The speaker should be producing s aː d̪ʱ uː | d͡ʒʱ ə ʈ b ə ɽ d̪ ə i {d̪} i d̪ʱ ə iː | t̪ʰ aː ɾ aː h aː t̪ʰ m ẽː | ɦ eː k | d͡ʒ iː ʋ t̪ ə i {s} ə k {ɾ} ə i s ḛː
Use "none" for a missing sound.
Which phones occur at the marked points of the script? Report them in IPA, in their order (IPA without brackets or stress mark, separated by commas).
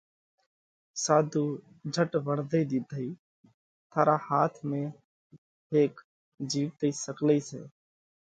d̪, s, l